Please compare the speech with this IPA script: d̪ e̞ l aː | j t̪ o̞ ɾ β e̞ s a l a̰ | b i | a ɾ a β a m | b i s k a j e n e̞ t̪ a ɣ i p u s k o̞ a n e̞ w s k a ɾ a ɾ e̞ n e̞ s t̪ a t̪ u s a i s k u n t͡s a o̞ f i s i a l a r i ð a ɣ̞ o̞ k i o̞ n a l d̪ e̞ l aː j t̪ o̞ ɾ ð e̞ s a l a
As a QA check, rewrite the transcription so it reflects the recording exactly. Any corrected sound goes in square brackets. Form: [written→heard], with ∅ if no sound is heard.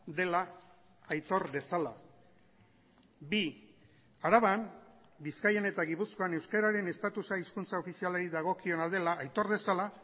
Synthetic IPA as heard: d̪ e̞ l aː | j t̪ o̞ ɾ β e̞ s a l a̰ | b i | a ɾ a β a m | b i s k a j e n e̞ t̪ a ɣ i p u s k o̞ a n e̞ w s k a ɾ a ɾ e̞ n e̞ s t̪ a t̪ u s a i s k u n t͡s a o̞ f i s i a l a [r→ɾ] i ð a ɣ̞ o̞ k i o̞ n a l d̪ e̞ l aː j t̪ o̞ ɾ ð e̞ s a l a